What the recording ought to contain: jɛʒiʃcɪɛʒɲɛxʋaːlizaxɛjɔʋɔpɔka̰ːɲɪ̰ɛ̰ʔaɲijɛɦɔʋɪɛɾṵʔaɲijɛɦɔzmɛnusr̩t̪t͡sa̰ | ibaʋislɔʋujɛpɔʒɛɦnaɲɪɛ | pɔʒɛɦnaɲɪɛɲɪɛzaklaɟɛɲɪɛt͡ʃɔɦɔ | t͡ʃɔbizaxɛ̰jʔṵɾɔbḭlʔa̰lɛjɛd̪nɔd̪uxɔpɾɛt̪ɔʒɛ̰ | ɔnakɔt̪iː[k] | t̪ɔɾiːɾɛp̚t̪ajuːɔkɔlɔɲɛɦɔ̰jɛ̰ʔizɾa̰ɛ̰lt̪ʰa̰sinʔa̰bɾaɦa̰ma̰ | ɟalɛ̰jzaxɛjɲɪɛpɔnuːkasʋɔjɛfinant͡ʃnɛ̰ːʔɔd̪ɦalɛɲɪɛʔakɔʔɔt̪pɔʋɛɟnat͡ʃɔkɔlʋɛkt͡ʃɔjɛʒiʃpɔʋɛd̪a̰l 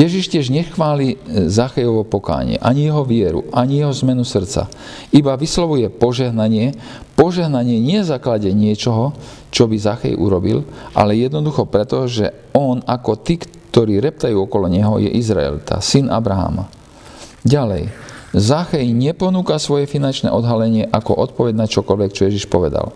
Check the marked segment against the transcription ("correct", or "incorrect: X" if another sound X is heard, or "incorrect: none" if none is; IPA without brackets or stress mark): correct